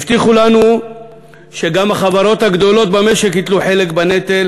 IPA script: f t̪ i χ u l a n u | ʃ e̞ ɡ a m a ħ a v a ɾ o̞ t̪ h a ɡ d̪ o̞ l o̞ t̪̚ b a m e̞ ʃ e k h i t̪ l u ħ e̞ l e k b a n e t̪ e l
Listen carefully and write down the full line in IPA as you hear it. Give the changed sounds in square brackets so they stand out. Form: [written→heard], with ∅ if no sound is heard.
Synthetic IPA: f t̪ i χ u l a n u | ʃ e̞ ɡ a m a [ħ→χ] a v a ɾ o̞ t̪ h a ɡ d̪ o̞ l o̞ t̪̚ b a m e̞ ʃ e k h i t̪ l u ħ e̞ l e k b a n e t̪ e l